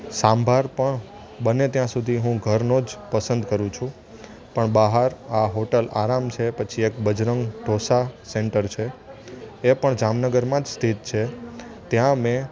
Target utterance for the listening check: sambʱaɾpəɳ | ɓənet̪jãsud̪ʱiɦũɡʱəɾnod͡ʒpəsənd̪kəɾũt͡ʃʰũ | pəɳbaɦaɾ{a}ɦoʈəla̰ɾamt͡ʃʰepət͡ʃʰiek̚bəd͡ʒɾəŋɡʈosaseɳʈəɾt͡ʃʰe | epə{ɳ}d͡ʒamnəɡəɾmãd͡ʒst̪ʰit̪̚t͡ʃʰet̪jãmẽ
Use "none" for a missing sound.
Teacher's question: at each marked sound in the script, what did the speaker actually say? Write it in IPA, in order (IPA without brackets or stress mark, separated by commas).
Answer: a, ɳ